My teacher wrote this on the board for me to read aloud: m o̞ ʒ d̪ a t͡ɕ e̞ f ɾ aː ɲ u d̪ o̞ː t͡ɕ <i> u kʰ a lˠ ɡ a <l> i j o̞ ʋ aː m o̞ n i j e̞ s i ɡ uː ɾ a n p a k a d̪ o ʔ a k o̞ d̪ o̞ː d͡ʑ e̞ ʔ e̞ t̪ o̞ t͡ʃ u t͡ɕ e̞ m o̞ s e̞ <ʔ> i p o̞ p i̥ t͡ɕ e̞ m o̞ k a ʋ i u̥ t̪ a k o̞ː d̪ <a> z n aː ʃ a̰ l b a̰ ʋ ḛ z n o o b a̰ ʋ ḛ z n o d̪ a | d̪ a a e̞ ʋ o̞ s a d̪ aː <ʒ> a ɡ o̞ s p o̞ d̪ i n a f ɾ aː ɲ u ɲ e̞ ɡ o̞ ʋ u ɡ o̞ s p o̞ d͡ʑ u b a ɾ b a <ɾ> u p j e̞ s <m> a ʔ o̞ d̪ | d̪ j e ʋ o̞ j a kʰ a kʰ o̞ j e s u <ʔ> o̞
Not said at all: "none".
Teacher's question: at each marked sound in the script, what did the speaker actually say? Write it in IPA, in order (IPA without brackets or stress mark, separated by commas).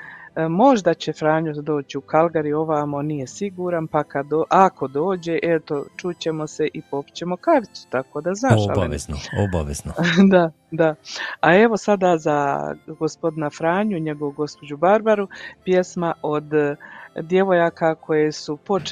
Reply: i, ɾ, ʔ, a, z, ɾ, m, p